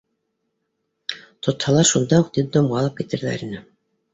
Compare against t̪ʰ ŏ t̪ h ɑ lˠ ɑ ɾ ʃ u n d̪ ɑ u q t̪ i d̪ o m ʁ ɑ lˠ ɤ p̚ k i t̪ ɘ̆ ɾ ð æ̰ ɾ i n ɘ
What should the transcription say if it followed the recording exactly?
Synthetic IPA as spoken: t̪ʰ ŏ t̪ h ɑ lˠ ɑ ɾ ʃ u n d̪ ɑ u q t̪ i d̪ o m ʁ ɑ lˠ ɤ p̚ k i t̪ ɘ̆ ɾ ð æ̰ ɾ i n ɘ